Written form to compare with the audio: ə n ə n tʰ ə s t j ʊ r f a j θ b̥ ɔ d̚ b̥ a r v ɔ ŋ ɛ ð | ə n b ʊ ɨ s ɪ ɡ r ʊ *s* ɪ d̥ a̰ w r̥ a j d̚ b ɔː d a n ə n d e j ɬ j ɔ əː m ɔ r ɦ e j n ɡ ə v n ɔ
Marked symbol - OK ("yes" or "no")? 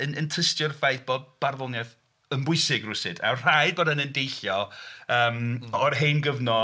yes